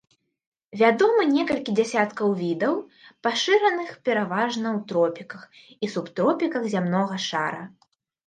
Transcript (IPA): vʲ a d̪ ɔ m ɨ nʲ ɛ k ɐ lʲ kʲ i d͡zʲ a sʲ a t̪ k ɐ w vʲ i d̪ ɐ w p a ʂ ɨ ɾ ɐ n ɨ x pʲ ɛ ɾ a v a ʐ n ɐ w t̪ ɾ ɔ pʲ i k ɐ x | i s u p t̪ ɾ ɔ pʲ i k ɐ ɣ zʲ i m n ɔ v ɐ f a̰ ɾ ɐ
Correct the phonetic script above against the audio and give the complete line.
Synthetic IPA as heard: vʲ a d̪ ɔ m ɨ nʲ ɛ k ɐ lʲ kʲ i d͡zʲ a sʲ a t̪ k ɐ w vʲ i d̪ ɐ w p a ʂ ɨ ɾ ɐ n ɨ x pʲ ɛ ɾ a v a ʐ n ɐ w t̪ ɾ ɔ pʲ i k ɐ x | i s u p t̪ ɾ ɔ pʲ i k ɐ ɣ zʲ a m n ɔ ɣ ɐ ʂ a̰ ɾ ɐ

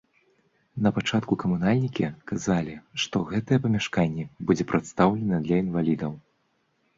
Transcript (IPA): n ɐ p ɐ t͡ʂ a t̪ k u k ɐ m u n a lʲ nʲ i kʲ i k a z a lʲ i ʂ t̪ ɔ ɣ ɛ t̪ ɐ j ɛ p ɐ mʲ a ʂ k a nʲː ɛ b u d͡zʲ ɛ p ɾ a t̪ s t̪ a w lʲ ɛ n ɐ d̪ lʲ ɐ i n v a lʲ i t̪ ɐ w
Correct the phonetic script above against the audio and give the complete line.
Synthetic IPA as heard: n ɐ p a t͡ʂ a t̪ k u k ɐ m u n a lʲ nʲ i kʲ i k a z a lʲ i ʂ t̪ ɔ ɣ ɛ t̪ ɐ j ɛ p ɐ mʲ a ʂ k a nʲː ɛ b u d͡zʲ ɛ p ɾ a t̪ s t̪ a w lʲ ɛ n ɐ d̪ lʲ ɐ i n v a lʲ i d̪ ɐ w

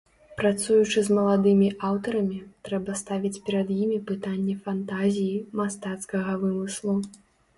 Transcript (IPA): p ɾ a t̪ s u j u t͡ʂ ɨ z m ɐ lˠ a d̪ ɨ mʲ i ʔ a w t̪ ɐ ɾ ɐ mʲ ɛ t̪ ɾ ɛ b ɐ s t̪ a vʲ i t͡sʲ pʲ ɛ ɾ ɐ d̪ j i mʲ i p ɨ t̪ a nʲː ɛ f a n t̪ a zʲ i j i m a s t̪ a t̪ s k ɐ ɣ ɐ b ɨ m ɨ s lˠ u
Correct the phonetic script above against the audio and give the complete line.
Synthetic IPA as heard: p ɾ a t̪ s u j u t͡ʂ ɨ z m ɐ lˠ a d̪ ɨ mʲ i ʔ a w t̪ ɐ ɾ ɐ mʲ i t̪ ɾ ɛ b ɐ s t̪ a vʲ i t͡sʲ pʲ ɛ ɾ ɐ d̪ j i mʲ i p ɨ t̪ a nʲː ɛ f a n t̪ a zʲ i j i m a s t̪ a t̪ s k ɐ ɣ ɐ v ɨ m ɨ s lˠ u

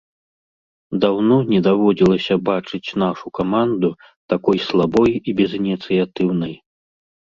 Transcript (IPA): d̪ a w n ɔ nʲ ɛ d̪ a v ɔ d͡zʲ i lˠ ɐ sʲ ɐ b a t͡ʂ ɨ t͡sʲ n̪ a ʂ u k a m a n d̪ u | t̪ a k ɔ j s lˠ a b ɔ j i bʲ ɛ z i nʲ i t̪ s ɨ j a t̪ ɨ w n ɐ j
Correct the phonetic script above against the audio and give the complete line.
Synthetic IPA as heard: d̪ a w n ɔ nʲ ɛ d̪ a v ɔ d͡zʲ i lˠ ɐ sʲ ɐ b a t͡ʂ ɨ t͡sʲ n̪ a ʂ u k a m a n d̪ u | t̪ a k ɔ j s lˠ a b ɔ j i bʲ ɛ z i nʲ i t̪ s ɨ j a t̪ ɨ w n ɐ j

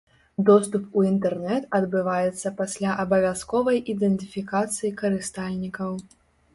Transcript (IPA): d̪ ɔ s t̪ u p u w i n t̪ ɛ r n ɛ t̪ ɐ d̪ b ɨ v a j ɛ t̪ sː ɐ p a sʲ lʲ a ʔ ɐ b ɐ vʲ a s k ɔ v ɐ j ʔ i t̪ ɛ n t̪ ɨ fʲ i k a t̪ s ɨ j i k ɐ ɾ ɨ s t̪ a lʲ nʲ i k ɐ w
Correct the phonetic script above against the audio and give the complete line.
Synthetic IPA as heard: d̪ ɔ s t̪ u p u i n t̪ ɛ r n ɛ t̪ ɐ d̪ b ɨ v a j ɛ t̪ sː ɐ p a sʲ lʲ a ʔ ɐ b ɐ vʲ a s k ɔ v ɐ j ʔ i d̪ ɛ n t̪ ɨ fʲ i k a t̪ s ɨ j i k ɐ ɾ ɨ s t̪ a lʲ nʲ i k ɐ w

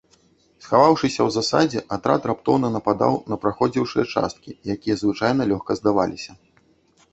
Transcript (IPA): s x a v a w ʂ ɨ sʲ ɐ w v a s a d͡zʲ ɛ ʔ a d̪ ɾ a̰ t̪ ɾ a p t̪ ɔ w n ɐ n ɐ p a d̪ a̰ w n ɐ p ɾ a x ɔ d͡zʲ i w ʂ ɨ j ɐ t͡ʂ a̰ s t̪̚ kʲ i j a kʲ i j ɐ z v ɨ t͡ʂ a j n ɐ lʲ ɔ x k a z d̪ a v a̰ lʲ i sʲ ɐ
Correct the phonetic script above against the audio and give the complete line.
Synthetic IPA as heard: s x a v a w ʂ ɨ sʲ ɐ w z a s a d͡zʲ ɛ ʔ a t̪ ɾ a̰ t̪ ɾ a p t̪ ɔ w n ɐ n ɐ p a d̪ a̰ w n ɐ p ɾ a x ɔ d͡zʲ i w ʂ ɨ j ɐ t͡ʂ a̰ s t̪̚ kʲ i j a kʲ i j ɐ z v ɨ t͡ʂ a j n ɐ lʲ ɔ x k ɐ z d̪ a v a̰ lʲ i sʲ ɐ

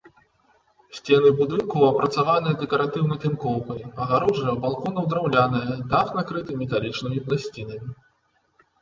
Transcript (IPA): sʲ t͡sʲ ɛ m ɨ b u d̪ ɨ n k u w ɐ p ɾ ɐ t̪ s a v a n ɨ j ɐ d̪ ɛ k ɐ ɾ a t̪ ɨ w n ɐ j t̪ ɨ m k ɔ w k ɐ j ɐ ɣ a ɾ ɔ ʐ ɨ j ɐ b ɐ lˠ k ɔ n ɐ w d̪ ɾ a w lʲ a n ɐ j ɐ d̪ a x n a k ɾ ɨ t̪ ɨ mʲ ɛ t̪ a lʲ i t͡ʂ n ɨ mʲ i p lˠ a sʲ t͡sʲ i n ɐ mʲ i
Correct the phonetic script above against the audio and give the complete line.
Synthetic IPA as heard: sʲ t͡sʲ ɛ n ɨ b u d̪ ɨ n k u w ɐ p ɾ ɐ t̪ s a v a n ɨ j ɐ d̪ ɛ k ɐ ɾ a t̪ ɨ w n ɐ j t̪ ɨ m k ɔ w k ɐ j ɐ ɣ a ɾ ɔ ʐ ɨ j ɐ b a lˠ k ɔ n ɐ w d̪ ɾ a w lʲ a n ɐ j ɐ d̪ a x n a k ɾ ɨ t̪ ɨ mʲ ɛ t̪ a lʲ i t͡ʂ n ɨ mʲ i p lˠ a sʲ t͡sʲ i n ɐ mʲ i

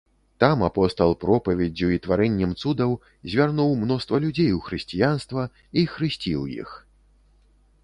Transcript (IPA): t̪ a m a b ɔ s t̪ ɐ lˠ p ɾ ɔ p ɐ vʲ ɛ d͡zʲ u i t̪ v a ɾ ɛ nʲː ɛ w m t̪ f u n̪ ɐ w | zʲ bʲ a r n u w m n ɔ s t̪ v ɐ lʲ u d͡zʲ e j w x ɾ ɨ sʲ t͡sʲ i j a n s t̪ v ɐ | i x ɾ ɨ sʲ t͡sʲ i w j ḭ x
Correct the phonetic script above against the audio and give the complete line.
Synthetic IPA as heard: t̪ a m a p ɔ s t̪ ɐ lˠ p ɾ ɔ p ɐ vʲ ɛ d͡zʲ u i t̪ v a ɾ ɛ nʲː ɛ m t̪ s u d̪ ɐ w | zʲ vʲ a r n u w m n ɔ s t̪ v ɐ lʲ u d͡zʲ e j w x ɾ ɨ sʲ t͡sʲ i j a n s t̪ v ɐ | i x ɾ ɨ sʲ t͡sʲ i w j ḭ x

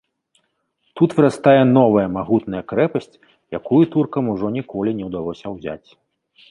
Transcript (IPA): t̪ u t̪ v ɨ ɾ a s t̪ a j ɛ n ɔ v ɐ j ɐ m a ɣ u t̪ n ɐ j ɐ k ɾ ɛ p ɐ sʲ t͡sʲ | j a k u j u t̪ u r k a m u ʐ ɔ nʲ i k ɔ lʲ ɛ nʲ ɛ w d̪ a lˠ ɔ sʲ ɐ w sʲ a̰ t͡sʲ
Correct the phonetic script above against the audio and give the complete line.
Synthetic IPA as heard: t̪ u t̪ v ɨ ɾ a s t̪ a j ɛ n ɔ v ɐ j ɐ m a ɣ u t̪ n ɐ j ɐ k ɾ ɛ p ɐ sʲ t͡sʲ | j a k u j u t̪ u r k ɐ m u ʐ ɔ nʲ i k ɔ lʲ i nʲ ɛ w d̪ a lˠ ɔ sʲ ɐ w zʲ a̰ t͡sʲ

